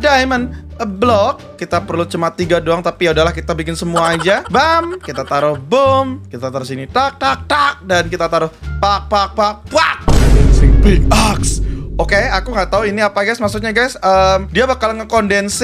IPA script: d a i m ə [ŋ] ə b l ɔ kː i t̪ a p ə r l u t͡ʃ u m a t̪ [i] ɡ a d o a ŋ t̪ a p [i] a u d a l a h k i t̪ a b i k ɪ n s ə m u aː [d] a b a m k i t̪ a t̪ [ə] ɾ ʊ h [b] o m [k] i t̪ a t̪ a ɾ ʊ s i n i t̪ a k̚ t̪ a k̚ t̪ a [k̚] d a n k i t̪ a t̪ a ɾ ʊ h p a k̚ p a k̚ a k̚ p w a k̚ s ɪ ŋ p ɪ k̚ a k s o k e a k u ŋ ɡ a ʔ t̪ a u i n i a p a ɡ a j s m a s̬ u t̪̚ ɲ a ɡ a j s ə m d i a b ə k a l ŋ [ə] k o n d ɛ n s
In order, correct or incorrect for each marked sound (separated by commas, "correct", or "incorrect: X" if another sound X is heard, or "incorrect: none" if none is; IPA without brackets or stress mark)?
incorrect: n, correct, correct, incorrect: d͡ʒ, incorrect: a, correct, correct, correct, correct